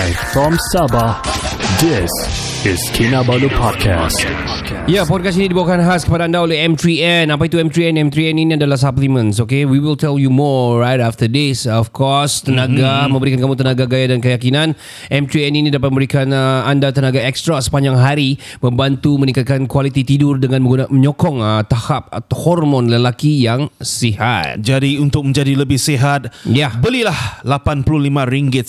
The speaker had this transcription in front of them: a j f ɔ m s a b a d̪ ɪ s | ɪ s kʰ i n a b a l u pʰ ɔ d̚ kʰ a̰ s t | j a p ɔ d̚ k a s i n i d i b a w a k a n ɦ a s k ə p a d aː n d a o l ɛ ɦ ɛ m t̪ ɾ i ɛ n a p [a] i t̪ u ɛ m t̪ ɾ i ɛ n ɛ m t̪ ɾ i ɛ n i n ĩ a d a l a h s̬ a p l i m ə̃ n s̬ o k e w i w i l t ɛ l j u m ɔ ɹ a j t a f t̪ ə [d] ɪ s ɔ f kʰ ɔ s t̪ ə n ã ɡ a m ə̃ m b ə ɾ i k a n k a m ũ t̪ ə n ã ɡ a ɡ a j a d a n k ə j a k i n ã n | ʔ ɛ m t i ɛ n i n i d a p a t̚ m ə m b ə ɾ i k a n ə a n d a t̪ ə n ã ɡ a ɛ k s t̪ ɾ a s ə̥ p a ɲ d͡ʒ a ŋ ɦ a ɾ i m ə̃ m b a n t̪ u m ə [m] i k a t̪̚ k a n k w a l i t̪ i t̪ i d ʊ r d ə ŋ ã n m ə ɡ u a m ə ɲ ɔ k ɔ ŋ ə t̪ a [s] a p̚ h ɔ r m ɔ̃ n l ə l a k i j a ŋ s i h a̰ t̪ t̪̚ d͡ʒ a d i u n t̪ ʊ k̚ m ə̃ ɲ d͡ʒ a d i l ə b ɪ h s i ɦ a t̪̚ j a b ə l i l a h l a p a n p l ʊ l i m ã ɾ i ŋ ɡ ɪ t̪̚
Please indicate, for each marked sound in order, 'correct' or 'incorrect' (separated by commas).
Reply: correct, correct, incorrect, incorrect